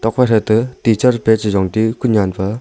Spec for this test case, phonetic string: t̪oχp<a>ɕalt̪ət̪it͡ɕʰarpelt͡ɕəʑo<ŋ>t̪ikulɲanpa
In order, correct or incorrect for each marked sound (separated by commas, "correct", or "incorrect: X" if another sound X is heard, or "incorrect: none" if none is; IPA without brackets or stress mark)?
correct, correct